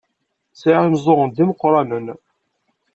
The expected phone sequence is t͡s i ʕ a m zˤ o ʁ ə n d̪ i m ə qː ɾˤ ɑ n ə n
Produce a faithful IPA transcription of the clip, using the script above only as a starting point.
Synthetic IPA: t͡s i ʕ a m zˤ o ʁ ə n d̪ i m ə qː ɾˤ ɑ n ə n